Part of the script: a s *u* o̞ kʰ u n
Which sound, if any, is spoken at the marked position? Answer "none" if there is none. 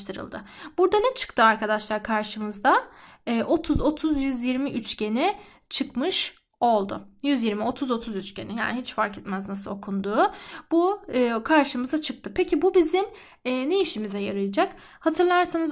ɯ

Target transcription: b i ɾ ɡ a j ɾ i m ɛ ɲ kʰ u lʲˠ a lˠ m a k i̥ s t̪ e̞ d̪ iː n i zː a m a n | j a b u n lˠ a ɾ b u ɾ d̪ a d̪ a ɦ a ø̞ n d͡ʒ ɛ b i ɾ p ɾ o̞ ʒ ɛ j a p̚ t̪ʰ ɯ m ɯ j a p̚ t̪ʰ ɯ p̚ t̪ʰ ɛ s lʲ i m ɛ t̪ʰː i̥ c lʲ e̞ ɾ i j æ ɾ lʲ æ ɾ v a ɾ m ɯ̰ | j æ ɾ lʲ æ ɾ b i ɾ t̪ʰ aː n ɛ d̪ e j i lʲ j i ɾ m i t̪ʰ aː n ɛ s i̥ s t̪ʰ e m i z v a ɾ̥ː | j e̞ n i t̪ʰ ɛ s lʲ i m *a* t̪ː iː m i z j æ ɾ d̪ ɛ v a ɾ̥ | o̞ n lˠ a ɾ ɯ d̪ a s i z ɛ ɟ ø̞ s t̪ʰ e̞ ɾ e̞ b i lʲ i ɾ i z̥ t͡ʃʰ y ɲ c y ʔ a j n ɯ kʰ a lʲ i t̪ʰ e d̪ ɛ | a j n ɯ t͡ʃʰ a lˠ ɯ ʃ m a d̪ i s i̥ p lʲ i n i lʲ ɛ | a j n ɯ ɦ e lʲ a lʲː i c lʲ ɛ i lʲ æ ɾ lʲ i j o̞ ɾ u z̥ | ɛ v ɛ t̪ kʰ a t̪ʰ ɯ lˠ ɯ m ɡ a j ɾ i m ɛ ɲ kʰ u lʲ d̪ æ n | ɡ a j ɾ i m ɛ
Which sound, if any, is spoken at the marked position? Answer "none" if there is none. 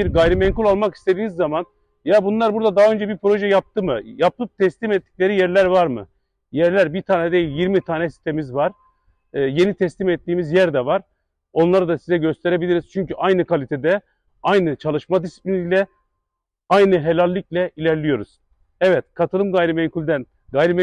ɛ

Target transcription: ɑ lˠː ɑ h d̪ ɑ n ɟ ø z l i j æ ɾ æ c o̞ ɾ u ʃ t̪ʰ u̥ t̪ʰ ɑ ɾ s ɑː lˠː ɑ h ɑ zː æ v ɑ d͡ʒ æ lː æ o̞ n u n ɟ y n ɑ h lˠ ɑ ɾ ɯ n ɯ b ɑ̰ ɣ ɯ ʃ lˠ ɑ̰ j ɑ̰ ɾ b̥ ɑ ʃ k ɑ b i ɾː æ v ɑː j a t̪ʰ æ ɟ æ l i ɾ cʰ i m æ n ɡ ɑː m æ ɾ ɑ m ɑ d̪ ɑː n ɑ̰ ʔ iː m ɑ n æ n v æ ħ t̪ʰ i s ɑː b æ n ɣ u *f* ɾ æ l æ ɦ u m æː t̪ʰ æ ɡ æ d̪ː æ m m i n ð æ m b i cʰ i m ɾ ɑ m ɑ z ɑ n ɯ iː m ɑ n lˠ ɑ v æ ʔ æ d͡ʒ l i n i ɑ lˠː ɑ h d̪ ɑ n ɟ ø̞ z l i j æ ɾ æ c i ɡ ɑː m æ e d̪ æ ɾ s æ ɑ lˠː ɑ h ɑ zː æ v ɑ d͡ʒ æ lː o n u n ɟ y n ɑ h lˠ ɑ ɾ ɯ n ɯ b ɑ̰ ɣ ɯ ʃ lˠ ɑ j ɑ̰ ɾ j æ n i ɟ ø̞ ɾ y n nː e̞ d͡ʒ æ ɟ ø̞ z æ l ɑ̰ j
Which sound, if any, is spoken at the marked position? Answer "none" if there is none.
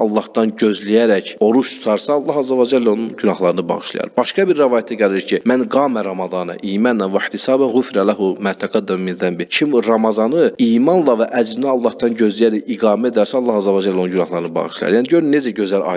f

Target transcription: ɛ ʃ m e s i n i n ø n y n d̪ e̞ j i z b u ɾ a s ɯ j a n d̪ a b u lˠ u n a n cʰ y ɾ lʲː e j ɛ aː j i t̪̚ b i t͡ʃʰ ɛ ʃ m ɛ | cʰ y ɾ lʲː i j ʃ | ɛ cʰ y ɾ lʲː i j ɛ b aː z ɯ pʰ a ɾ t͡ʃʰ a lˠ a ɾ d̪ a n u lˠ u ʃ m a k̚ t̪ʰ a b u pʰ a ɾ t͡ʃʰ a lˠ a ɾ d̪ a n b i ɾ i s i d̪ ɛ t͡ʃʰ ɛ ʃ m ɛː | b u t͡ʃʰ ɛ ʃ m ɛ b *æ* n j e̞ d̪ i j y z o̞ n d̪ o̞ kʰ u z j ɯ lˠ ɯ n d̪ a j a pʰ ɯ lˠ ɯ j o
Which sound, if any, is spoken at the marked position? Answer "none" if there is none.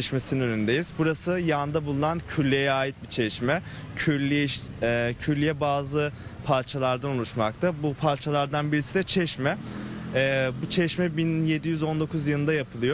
i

